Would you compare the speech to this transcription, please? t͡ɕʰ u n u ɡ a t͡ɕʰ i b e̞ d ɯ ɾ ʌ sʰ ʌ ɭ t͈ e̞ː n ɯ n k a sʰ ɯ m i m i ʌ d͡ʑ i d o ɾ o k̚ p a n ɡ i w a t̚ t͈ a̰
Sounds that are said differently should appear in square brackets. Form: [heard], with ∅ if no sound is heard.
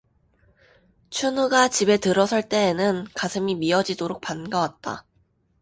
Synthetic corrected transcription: t͡ɕʰ u n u ɡ a [t͡ɕ] i b e̞ [t] ɯ ɾ ʌ sʰ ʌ ɭ t͈ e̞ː n ɯ n k a sʰ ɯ m i m i ʌ d͡ʑ i d o ɾ o k̚ p a n ɡ [a] w a t̚ t͈ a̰